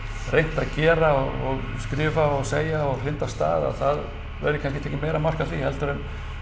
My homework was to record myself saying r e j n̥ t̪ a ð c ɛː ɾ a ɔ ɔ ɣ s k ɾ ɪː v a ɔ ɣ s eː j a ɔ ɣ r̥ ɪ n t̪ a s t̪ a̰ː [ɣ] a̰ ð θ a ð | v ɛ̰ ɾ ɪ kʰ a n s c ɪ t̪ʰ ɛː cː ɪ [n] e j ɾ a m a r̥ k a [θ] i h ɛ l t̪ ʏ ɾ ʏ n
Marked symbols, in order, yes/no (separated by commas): no, no, yes